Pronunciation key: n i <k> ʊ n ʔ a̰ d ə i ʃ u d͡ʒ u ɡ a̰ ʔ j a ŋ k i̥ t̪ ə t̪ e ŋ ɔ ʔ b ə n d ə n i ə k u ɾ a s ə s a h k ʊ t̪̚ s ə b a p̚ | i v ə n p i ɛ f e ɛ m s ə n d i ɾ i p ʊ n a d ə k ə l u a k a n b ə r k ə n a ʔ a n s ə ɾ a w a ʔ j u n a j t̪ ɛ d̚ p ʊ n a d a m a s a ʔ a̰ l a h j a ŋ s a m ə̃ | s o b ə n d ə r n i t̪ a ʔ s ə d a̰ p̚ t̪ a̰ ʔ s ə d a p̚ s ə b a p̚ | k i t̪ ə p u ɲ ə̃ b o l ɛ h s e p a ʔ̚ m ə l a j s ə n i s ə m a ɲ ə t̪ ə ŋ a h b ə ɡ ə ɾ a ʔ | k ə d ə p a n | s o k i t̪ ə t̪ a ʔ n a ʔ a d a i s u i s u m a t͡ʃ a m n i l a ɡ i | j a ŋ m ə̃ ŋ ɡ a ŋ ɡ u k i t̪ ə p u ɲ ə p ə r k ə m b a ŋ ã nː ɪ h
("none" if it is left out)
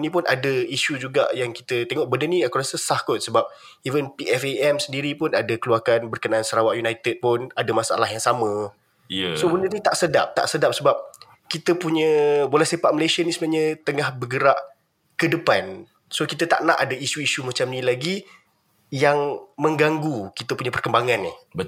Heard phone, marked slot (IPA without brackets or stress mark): p